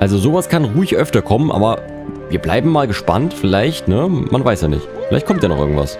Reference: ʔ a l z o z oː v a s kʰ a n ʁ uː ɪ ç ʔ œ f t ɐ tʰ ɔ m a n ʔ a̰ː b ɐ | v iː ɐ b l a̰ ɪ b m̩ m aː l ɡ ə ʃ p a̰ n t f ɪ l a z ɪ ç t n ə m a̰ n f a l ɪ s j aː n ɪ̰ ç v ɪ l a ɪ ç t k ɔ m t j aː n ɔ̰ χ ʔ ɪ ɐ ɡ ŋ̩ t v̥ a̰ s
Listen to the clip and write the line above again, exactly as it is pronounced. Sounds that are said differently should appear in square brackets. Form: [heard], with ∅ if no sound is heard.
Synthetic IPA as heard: ʔ a l z o z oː v a s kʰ a n ʁ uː ɪ ç ʔ œ f t ɐ [kʰ] ɔ m [ə] n ʔ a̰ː b ɐ | v iː ɐ b l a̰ ɪ b m̩ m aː l ɡ ə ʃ p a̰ n t f ɪ l a [∅] ɪ ç t n ə m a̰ n [v] a [∅] ɪ s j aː n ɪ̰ ç [f] ɪ l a ɪ ç t k ɔ m t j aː n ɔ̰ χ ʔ ɪ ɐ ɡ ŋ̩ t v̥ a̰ s